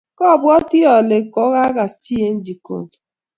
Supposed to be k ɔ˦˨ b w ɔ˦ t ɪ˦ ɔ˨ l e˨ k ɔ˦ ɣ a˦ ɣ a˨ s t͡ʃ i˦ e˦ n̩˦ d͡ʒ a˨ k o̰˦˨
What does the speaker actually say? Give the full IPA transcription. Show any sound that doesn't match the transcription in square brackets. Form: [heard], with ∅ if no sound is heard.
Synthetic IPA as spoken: k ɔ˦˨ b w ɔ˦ t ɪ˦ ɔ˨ l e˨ k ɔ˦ ɣ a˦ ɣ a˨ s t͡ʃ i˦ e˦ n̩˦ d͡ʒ [i˨] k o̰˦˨